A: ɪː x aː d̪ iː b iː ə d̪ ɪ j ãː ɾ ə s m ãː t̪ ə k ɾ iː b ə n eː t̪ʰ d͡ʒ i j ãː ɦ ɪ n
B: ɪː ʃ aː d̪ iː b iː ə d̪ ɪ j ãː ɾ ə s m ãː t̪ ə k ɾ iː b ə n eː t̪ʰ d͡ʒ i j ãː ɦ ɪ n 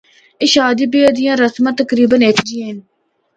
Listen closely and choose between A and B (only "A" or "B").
B